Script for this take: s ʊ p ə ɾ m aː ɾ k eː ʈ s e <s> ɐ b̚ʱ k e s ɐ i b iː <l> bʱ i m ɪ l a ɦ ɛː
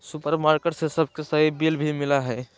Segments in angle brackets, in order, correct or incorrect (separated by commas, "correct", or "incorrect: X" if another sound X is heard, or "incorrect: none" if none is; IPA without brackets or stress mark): correct, correct